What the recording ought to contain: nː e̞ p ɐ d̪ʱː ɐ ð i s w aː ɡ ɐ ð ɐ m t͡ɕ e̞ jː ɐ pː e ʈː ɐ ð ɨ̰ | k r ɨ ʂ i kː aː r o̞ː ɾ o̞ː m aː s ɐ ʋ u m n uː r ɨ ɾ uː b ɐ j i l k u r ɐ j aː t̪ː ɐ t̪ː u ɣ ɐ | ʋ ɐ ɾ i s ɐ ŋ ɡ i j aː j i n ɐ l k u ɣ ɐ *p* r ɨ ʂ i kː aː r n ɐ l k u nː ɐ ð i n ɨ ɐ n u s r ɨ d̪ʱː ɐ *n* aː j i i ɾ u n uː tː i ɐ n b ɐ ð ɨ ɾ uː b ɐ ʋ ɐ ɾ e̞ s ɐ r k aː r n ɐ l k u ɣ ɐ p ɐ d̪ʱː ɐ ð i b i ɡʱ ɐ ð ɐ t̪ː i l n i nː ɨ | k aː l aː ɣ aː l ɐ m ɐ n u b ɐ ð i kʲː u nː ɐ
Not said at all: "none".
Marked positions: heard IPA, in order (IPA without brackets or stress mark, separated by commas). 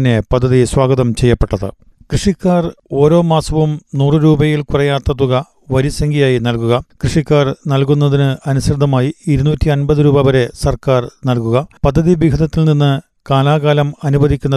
k, m